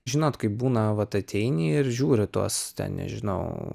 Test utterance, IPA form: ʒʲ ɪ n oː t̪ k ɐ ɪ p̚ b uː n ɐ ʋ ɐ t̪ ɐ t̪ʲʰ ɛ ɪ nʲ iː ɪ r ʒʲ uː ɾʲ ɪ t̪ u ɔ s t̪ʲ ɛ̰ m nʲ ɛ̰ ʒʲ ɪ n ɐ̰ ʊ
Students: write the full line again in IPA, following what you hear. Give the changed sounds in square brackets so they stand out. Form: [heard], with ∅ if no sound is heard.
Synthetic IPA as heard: ʒʲ ɪ n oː t̪ k ɐ ɪ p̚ b uː n ɐ ʋ ɐ t̪ ɐ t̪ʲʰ ɛ ɪ nʲ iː ɪ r ʒʲ uː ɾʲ ɪ t̪ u ɔ s t̪ʲ ɛ̰ [n] nʲ ɛ̰ ʒʲ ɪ n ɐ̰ ʊ

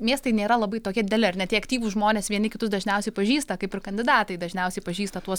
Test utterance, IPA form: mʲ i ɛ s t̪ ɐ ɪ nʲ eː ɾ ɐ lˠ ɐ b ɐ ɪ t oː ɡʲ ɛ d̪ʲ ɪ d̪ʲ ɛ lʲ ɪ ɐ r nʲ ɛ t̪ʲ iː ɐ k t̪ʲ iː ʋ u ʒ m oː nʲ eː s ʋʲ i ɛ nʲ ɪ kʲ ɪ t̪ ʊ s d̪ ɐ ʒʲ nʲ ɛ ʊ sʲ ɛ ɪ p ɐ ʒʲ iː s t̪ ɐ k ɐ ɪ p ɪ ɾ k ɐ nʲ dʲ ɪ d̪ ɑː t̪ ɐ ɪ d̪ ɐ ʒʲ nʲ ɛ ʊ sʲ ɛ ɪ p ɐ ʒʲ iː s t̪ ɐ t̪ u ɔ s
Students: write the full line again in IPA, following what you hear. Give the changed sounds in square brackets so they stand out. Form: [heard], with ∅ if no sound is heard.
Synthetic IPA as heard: mʲ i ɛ s t̪ ɐ ɪ nʲ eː ɾ ɐ lˠ ɐ b ɐ ɪ t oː [kʲ] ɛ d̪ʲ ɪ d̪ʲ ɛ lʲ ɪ ɐ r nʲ ɛ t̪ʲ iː ɐ k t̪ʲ iː ʋ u ʒ m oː nʲ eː s ʋʲ i ɛ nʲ ɪ kʲ ɪ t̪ ʊ s d̪ ɐ ʒʲ nʲ ɛ ʊ sʲ ɛ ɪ p ɐ ʒʲ iː s t̪ ɐ k ɐ ɪ p ɪ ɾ k ɐ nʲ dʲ ɪ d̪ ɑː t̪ ɐ ɪ d̪ ɐ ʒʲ nʲ ɛ ʊ sʲ ɛ ɪ p ɐ ʒʲ iː s t̪ ɐ t̪ u ɔ s

